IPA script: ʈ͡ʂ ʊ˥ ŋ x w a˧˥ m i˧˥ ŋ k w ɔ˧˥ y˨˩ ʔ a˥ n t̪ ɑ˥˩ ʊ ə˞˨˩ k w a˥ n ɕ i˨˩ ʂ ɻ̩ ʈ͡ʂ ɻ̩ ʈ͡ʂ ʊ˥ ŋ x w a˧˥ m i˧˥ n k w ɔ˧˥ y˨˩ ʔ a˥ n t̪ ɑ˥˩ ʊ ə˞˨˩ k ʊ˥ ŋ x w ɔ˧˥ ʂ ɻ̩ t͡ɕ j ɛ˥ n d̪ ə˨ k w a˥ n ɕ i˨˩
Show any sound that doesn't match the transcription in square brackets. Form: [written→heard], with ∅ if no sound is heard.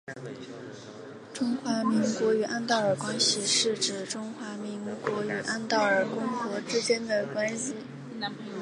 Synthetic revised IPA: ʈ͡ʂ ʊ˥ ŋ x w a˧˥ m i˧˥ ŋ k w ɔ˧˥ y˨˩ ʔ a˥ n t̪ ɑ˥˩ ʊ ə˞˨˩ k w a˥ n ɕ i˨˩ ʂ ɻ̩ ʈ͡ʂ ɻ̩ ʈ͡ʂ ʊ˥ ŋ x w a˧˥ m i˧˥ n k w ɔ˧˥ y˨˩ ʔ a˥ n t̪ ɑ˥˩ ʊ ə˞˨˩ k ʊ˥ ŋ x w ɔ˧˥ [ʂ→ʈ͡ʂ] ɻ̩ t͡ɕ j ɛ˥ n d̪ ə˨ k w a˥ n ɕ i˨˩